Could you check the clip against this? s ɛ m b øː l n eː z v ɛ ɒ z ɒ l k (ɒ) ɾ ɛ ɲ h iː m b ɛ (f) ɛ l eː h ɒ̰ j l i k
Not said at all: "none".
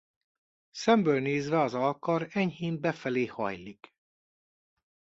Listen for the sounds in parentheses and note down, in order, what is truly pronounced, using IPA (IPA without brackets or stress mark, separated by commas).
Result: ɒ, f